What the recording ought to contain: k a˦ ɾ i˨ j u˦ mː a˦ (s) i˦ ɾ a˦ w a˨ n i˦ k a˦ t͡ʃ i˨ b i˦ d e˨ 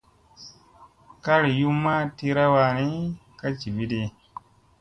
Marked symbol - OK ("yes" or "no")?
no